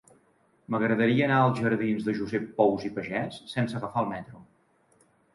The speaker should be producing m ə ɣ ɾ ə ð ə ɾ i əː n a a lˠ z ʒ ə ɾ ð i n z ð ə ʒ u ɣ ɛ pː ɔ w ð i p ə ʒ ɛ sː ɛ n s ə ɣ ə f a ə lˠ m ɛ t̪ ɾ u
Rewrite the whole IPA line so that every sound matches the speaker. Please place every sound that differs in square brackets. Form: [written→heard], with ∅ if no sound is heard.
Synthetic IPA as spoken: m ə ɣ ɾ ə ð ə ɾ i əː n a [a→ə] lˠ z ʒ ə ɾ ð i n z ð ə ʒ u [ɣ→z] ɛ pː ɔ w [ð→z] i p ə ʒ ɛ sː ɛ n s ə ɣ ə f a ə lˠ m ɛ t̪ ɾ u